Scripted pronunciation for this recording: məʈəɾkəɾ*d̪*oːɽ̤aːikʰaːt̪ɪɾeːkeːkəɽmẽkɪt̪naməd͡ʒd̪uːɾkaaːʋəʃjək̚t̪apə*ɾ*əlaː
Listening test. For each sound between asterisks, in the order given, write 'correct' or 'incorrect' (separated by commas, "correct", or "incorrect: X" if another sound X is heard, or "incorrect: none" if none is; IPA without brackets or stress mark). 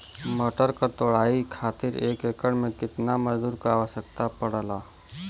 incorrect: t̪, incorrect: ɽ